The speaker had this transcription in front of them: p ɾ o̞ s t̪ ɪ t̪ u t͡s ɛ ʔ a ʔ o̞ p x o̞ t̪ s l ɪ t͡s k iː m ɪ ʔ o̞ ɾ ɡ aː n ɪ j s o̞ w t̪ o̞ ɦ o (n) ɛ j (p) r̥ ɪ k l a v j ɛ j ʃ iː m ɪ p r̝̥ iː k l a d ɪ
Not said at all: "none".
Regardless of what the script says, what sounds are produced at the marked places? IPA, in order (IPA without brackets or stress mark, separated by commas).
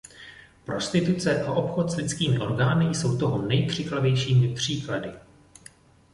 n, k